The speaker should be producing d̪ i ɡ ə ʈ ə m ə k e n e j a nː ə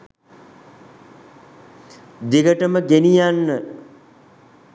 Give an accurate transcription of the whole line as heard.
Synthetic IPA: d̪ i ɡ ə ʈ ə m ə ɡ e n i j a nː ə